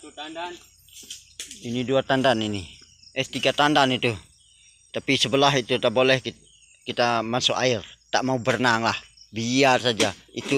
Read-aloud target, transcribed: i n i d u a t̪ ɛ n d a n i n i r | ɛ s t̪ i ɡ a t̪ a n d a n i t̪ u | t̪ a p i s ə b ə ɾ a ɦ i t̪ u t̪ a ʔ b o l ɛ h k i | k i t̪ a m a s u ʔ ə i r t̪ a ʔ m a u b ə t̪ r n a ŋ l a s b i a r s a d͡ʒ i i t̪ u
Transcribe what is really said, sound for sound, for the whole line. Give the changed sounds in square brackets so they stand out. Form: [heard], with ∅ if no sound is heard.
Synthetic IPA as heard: i n i d u a t̪ [a] n d a n i n i [∅] | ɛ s t̪ i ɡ a t̪ a n d a n i t̪ u | t̪ a p i s ə b ə [l] a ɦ i t̪ u t̪ a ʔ b o l ɛ h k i | k i t̪ a m a s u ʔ [a] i r t̪ a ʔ m a u b ə [∅] r n a ŋ l a [h] b i a r s a d͡ʒ [a] i t̪ u